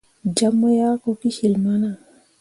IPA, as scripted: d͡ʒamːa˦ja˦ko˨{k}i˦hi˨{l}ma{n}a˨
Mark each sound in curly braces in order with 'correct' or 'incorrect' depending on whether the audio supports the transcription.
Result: correct, correct, correct

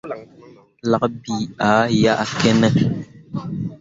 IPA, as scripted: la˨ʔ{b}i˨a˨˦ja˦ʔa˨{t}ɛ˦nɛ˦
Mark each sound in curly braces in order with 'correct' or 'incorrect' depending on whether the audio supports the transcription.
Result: correct, incorrect

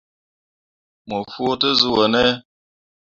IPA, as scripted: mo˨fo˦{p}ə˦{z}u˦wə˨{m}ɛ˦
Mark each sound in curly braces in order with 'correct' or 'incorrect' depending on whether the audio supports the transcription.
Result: incorrect, correct, incorrect

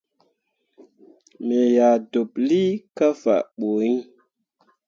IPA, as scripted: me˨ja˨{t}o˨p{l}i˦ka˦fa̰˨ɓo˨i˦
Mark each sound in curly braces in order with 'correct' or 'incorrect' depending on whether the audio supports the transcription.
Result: incorrect, correct

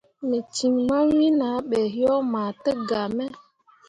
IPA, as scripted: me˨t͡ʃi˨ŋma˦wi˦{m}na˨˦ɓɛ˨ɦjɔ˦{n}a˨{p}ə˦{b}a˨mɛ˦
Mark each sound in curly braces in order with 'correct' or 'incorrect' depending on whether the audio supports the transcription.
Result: incorrect, incorrect, incorrect, incorrect

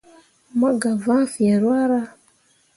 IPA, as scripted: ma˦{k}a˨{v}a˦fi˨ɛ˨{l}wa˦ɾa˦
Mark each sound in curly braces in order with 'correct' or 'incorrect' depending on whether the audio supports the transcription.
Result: incorrect, correct, incorrect

